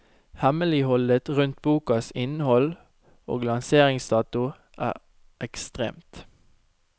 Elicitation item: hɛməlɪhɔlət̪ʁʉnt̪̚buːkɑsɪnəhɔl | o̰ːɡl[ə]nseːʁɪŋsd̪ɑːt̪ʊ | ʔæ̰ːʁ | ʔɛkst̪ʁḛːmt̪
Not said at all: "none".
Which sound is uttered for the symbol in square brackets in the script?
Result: ɑ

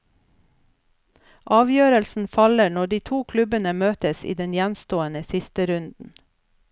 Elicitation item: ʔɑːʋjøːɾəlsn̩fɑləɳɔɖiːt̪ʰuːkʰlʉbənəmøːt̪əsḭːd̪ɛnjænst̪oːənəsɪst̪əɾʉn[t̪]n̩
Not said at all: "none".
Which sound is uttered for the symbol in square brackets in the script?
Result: d̪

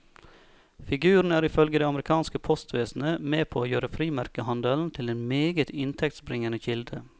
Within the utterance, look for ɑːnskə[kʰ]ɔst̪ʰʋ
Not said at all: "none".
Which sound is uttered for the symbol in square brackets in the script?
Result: pʰ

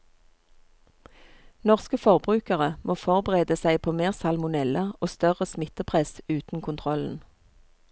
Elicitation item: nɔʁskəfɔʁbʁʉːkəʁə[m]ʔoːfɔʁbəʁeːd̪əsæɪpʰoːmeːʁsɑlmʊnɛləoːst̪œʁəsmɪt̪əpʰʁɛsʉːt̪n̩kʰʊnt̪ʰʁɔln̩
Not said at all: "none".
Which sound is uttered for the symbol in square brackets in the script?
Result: m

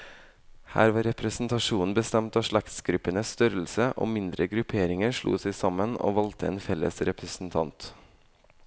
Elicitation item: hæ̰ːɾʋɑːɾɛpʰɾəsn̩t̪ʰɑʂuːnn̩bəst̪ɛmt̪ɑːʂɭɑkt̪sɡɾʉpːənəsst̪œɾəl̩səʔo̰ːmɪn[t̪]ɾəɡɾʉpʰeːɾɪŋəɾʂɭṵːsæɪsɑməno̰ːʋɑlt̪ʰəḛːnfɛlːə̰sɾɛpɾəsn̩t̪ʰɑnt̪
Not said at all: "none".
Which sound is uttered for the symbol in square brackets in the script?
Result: d̪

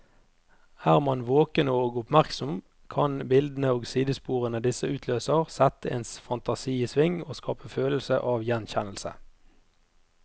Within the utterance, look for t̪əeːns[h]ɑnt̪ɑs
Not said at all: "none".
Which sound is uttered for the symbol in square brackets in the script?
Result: f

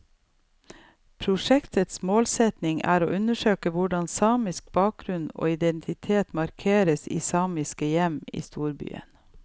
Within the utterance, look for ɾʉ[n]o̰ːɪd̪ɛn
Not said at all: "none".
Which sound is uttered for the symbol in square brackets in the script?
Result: n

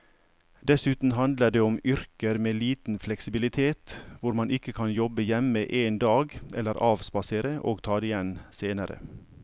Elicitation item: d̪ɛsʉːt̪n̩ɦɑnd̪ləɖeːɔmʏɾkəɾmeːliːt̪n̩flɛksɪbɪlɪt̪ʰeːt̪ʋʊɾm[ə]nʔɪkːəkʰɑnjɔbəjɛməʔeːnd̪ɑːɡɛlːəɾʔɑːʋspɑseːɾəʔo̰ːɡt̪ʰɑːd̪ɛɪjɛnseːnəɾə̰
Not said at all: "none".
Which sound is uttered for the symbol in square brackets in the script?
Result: ɑ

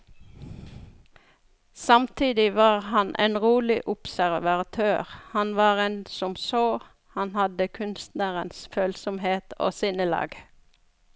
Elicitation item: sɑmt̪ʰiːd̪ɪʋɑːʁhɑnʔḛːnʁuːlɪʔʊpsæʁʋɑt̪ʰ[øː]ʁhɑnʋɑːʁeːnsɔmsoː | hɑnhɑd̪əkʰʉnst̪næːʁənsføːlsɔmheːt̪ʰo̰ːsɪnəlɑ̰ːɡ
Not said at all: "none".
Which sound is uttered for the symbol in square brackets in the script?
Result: øː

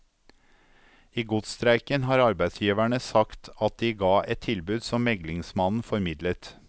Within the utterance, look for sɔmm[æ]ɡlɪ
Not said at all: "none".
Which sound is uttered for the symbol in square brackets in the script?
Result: ɛ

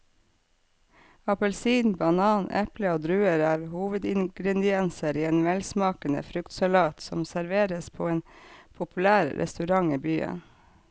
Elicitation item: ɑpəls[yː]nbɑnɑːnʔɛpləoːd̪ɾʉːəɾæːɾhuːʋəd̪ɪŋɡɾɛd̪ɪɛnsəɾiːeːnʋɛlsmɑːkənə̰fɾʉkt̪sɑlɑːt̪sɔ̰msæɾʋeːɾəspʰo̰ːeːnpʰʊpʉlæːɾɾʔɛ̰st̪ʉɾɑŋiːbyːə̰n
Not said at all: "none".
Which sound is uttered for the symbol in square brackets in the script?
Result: iː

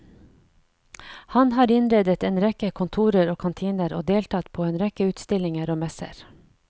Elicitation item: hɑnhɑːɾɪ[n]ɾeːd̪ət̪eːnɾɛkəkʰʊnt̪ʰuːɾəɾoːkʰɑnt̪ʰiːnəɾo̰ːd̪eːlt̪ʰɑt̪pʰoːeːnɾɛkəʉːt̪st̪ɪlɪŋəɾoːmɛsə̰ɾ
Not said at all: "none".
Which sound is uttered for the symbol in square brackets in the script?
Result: n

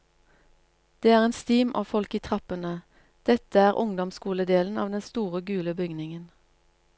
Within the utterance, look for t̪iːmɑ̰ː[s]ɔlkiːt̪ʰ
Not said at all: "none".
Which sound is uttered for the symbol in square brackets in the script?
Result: f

